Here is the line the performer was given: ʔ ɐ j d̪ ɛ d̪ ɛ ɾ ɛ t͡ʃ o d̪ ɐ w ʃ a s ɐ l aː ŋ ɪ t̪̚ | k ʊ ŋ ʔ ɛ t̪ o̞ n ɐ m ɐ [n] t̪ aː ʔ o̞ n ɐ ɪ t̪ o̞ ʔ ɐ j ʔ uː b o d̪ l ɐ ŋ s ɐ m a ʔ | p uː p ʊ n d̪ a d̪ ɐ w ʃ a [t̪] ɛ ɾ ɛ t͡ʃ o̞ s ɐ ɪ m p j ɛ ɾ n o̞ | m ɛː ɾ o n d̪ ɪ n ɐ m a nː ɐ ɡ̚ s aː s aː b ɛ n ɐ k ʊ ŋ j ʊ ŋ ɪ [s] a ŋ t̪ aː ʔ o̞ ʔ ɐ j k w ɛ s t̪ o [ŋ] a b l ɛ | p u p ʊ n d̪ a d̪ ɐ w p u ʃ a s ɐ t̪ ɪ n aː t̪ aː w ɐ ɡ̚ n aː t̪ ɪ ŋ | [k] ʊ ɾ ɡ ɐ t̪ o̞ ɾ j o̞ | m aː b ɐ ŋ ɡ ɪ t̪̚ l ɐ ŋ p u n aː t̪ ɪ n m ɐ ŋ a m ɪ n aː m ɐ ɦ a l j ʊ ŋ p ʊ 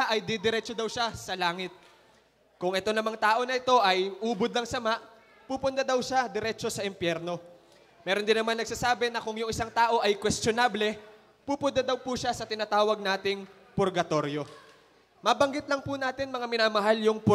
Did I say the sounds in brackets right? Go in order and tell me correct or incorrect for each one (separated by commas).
incorrect, incorrect, correct, incorrect, incorrect